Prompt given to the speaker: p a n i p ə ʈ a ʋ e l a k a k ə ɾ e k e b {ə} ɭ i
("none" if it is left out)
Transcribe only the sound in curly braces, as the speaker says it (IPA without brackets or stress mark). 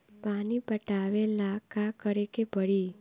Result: ə